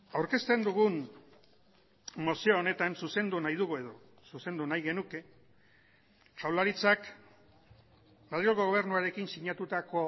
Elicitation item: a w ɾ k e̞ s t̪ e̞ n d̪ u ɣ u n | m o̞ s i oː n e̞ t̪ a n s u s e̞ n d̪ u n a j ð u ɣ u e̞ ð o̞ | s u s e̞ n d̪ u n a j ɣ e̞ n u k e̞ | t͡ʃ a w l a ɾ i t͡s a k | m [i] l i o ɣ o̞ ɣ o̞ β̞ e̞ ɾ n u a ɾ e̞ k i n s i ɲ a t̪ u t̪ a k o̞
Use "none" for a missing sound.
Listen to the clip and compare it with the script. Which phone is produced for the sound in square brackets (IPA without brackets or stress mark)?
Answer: a